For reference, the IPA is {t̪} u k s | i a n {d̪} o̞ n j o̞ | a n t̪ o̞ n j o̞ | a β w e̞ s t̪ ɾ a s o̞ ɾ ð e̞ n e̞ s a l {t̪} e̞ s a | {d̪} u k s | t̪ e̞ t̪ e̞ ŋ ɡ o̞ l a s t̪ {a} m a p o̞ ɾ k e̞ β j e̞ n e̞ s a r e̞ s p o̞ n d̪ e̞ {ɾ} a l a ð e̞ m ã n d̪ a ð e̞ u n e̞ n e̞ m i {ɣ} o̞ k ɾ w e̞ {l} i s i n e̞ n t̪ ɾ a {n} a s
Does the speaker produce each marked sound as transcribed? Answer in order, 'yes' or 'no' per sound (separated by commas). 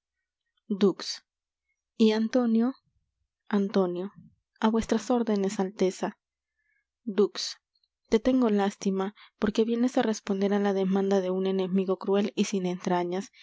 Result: no, no, yes, yes, no, yes, yes, yes, no